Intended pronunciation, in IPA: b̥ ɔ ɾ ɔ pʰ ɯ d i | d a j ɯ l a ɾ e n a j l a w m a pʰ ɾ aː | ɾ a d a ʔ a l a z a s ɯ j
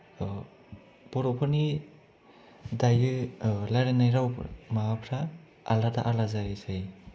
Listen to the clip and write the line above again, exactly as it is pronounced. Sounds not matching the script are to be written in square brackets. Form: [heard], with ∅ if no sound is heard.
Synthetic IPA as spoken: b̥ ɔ ɾ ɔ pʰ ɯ [n] i | d a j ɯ l a ɾ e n a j [ɾ] a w m a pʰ ɾ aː | [l] a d a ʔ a l a z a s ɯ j